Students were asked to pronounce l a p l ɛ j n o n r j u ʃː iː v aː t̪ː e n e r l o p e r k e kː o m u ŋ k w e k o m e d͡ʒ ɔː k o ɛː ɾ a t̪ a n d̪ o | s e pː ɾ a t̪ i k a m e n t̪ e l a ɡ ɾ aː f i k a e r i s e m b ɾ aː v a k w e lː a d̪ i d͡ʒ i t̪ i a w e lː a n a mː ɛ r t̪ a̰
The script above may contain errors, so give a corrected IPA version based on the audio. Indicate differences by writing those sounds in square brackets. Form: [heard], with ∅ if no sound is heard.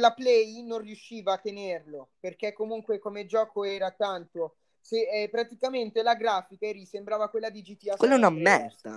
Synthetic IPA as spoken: l a p l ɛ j n o n r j u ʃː iː v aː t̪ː e n e r l o p e r k e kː o m u ŋ k w e k o m e d͡ʒ ɔː k o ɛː ɾ a t̪ a n [t̪] o | s e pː ɾ a t̪ i k a m e n t̪ e l a ɡ ɾ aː f i k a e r i s e m b ɾ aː v a k w e lː a d̪ i d͡ʒ i t̪ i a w e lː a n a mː ɛ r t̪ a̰